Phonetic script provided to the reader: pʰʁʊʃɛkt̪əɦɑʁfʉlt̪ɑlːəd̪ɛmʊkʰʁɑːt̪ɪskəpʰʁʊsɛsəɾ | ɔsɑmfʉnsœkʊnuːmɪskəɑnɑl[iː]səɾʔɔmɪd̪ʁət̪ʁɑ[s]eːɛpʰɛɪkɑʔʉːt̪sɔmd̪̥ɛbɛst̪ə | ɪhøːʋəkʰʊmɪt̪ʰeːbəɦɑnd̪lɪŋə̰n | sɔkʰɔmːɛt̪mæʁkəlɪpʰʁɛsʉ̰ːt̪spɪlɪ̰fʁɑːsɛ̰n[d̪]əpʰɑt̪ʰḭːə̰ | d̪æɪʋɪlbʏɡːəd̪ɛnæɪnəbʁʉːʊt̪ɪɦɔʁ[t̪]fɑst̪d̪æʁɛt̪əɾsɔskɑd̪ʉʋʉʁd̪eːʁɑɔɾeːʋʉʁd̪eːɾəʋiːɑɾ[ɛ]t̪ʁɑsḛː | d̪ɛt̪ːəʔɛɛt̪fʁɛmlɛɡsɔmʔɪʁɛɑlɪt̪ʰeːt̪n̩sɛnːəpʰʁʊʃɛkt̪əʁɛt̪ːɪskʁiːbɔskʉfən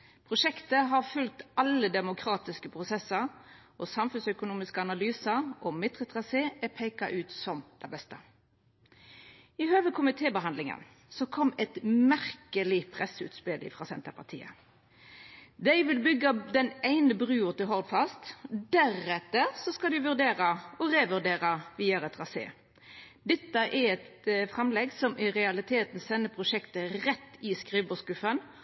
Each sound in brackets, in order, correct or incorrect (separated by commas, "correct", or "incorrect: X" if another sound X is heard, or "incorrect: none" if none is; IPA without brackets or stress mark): incorrect: yː, correct, incorrect: t̪, incorrect: d̪, correct